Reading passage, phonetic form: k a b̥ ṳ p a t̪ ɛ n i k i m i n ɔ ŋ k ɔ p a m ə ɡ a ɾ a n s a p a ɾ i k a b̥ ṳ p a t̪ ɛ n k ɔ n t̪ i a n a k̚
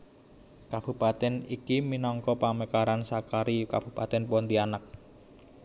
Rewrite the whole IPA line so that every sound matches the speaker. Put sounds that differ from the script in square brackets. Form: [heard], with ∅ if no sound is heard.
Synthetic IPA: k a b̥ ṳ p a t̪ ɛ n i k i m i n ɔ ŋ k ɔ p a m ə [k] a ɾ a n s a [k] a ɾ i k a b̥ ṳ p a t̪ ɛ n [p] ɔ n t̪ i a n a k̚